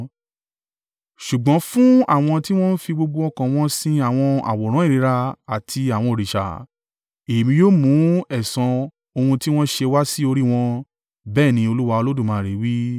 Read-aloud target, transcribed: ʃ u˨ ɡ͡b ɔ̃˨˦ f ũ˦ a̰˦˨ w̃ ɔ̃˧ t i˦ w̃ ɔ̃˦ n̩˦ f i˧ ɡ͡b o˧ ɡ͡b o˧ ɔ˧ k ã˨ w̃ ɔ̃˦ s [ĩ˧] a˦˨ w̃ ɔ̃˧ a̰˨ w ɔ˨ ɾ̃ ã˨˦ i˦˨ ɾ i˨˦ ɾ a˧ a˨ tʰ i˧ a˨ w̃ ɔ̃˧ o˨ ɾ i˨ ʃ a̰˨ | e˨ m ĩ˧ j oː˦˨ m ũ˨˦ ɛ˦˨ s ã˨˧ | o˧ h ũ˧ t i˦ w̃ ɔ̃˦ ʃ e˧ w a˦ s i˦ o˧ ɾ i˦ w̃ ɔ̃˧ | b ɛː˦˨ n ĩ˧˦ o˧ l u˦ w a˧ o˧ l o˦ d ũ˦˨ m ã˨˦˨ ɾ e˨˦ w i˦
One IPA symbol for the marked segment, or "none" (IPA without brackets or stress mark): ĩ˧